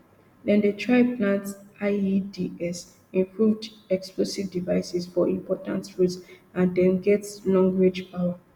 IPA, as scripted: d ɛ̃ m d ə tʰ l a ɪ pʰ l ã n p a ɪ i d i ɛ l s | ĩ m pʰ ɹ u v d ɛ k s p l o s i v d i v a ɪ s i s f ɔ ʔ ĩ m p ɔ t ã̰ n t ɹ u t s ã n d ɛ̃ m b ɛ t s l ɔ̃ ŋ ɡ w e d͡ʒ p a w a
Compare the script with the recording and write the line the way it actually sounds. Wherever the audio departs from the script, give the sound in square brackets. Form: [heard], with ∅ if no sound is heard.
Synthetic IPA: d ɛ̃ [n] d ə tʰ [ɹ] a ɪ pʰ l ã n [t] a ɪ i d i ɛ [∅] s | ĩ m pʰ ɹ u v d ɛ k s p l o s i v d i v a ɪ s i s f ɔ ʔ ĩ m p ɔ t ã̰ n t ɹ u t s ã n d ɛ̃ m [ɡ] ɛ t s l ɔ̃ ŋ ɡ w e d͡ʒ p a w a